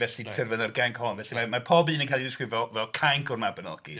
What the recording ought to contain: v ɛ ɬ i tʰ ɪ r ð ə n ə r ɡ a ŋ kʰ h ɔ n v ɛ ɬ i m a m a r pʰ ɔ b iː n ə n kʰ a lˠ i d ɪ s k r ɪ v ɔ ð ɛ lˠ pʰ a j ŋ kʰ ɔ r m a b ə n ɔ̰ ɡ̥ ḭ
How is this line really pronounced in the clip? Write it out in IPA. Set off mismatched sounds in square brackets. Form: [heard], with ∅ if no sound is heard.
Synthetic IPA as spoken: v ɛ ɬ i tʰ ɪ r [v] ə n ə r ɡ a ŋ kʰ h ɔ n v ɛ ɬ i m a m a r pʰ ɔ b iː n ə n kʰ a lˠ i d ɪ s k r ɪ v ɔ [v] ɛ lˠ [kʰ] a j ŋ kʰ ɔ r m a b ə n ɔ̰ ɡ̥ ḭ